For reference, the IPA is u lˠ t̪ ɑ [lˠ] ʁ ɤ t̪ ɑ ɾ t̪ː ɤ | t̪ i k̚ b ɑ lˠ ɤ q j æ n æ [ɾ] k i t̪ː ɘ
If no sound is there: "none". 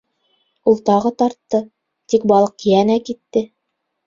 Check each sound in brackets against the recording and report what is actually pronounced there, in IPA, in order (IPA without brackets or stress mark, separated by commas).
none, none